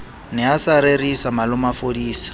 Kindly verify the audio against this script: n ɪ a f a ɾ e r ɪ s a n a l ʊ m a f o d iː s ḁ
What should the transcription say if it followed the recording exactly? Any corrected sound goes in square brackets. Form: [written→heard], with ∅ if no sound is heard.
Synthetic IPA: n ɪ a [f→s] a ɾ e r [ɪ→i] s a [n→m] a l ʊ m a f o d iː s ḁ